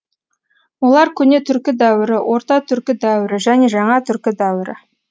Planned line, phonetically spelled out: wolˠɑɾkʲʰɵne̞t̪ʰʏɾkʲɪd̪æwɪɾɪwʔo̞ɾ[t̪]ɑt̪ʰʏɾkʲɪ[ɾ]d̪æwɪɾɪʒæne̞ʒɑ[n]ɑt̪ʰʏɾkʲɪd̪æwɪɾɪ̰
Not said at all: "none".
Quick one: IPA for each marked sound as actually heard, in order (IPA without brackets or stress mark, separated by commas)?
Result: t̪, none, ɴ